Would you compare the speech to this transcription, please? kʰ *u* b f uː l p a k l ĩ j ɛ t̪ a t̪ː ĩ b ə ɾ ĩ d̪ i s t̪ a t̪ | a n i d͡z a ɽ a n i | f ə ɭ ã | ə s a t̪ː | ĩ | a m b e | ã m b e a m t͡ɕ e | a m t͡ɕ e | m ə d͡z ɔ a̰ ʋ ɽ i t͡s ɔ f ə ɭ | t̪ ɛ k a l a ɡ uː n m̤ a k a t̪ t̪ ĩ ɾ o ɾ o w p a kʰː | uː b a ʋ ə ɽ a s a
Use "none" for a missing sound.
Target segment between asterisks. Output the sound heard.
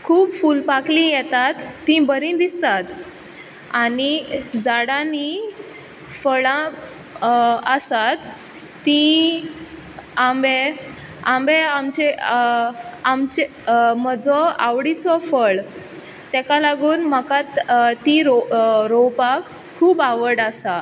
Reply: uː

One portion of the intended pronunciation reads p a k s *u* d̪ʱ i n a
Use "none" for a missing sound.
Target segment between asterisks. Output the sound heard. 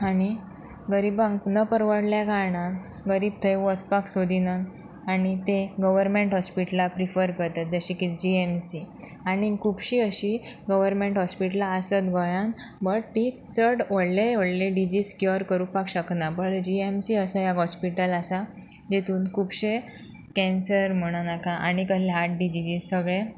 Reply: o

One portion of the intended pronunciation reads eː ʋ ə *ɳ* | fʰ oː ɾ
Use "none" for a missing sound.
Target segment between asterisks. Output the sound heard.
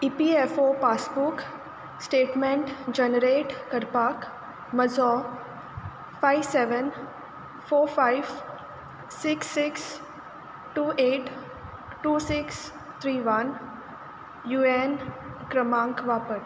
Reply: n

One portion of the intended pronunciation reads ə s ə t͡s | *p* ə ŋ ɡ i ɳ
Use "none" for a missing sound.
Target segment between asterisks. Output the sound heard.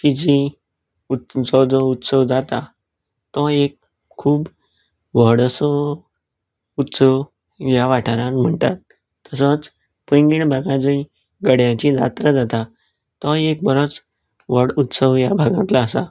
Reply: p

